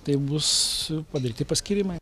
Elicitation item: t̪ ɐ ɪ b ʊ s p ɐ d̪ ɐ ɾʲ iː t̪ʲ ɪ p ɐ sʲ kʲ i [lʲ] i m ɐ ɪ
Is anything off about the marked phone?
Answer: yes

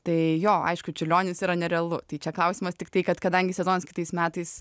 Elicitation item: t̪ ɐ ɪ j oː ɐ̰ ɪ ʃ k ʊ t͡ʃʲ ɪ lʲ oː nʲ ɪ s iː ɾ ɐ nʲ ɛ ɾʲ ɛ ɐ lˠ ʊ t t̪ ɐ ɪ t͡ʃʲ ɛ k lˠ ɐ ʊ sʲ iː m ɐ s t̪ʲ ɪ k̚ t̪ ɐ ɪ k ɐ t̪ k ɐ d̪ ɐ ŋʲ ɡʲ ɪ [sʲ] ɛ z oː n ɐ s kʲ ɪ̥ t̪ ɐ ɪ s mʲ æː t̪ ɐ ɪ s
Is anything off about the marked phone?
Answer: no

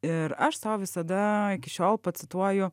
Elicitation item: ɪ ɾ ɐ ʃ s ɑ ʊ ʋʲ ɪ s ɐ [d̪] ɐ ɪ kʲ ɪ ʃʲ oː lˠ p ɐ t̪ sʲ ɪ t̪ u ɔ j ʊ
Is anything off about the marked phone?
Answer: no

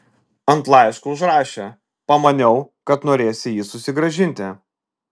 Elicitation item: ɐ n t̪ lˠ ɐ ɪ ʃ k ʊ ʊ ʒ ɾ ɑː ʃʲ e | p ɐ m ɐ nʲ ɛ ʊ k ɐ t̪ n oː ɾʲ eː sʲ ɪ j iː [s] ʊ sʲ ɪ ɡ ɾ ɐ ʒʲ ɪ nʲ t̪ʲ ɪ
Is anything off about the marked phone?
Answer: no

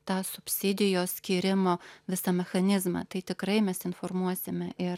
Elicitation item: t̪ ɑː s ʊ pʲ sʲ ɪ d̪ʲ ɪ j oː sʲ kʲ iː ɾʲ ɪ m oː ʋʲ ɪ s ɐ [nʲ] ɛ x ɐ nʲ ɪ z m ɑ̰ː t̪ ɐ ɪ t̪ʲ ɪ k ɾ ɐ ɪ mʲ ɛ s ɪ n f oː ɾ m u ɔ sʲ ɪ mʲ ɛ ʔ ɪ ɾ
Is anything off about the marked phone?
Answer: yes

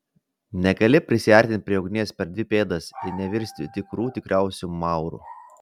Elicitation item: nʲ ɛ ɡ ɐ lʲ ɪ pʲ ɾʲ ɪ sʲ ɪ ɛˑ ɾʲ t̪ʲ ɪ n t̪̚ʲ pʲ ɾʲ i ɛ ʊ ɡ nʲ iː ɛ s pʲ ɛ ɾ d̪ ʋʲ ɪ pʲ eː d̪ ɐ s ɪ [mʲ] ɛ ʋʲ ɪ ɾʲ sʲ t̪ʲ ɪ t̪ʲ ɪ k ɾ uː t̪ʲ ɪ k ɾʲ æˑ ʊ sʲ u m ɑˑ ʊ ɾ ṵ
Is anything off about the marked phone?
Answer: yes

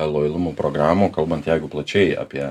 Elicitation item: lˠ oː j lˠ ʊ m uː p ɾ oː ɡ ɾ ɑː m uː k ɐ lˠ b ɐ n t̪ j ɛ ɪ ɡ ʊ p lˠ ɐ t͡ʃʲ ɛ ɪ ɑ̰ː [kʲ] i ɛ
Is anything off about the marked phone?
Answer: yes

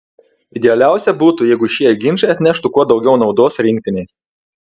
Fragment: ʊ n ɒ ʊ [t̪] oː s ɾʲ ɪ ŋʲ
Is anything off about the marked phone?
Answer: yes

